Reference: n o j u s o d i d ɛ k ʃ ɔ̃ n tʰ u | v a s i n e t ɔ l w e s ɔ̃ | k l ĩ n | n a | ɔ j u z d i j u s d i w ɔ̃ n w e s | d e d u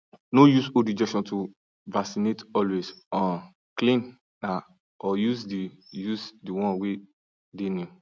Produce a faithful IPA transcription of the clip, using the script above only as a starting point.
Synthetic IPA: n o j u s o d i d͡ʒ ɛ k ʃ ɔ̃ n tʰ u | v a s i n e t ɔ l w e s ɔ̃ | k l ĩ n | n a | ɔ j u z d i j u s d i w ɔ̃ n w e | d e n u